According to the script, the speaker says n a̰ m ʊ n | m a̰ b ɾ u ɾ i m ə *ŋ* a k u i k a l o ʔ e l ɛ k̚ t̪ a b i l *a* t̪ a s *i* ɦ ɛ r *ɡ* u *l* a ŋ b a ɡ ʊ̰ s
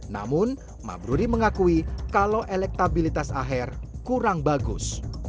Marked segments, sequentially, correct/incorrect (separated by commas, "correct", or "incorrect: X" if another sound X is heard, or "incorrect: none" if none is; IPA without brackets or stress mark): correct, incorrect: i, incorrect: a, incorrect: k, incorrect: ɾ